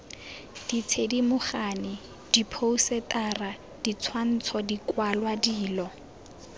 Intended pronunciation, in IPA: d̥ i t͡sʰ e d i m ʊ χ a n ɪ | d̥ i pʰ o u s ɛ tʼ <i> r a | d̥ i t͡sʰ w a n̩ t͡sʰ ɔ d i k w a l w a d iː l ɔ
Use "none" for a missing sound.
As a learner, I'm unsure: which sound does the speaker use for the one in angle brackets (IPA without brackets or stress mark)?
a